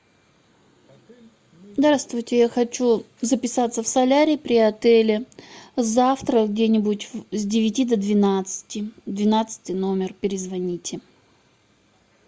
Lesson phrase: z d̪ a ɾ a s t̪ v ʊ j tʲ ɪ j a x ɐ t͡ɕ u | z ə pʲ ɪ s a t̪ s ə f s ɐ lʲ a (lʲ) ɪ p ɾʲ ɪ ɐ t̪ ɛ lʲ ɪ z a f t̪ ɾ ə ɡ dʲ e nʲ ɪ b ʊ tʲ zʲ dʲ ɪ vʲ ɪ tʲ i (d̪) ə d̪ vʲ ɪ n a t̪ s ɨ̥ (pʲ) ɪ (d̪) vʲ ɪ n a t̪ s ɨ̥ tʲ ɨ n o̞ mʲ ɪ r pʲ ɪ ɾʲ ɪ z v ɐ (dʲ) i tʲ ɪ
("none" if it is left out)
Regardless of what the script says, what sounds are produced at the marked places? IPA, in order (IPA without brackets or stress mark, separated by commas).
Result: ɾʲ, d̪, tʲ, d̪, nʲ